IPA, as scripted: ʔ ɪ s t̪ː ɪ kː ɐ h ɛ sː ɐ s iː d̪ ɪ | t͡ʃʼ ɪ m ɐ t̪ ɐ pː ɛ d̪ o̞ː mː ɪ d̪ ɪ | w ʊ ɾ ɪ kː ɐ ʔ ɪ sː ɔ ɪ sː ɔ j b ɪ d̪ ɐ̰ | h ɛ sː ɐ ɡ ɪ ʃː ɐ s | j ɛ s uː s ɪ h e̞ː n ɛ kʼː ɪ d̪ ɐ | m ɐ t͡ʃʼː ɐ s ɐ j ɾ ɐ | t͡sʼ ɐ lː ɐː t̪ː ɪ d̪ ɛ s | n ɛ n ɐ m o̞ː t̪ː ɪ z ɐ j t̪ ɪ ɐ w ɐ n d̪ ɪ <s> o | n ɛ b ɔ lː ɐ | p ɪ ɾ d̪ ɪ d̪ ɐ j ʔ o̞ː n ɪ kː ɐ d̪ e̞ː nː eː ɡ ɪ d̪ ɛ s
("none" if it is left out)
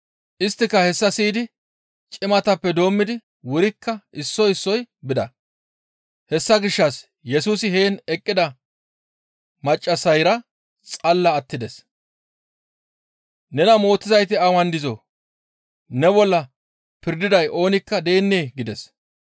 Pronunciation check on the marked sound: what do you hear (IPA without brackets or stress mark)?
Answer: z